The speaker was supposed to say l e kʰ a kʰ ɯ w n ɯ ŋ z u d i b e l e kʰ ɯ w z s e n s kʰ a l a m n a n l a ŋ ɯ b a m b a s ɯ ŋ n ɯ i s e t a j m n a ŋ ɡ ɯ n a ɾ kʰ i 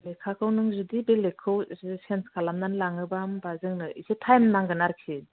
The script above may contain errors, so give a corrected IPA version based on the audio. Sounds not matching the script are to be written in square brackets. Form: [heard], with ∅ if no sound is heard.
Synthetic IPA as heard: l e kʰ a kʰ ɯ w n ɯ ŋ z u d i b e l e kʰ ɯ w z s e n s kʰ a l a m n a n l a ŋ ɯ b a m b a [z] ɯ ŋ n ɯ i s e [tʰ] a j m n a ŋ ɡ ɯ n a ɾ kʰ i